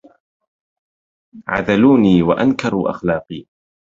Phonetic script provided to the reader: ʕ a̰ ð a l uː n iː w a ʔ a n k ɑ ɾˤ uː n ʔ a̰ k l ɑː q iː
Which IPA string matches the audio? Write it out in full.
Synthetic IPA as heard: ʕ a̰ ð a l uː n iː w a ʔ a n k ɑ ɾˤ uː ʔ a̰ x l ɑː q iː